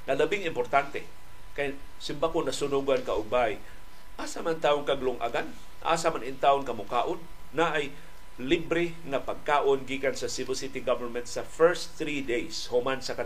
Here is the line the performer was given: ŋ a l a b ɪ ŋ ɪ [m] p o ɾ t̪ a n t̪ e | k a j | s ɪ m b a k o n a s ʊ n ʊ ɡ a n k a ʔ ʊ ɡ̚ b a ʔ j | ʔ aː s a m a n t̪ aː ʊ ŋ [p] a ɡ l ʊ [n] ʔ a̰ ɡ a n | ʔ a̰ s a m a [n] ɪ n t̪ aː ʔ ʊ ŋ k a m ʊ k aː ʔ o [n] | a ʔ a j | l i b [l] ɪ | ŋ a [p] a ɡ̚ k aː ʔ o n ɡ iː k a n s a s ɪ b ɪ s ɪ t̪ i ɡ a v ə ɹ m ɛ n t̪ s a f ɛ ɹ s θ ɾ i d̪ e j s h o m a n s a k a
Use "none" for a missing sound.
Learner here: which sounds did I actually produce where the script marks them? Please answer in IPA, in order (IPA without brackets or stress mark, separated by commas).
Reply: m, k, ŋ, n, nː, ɾ, p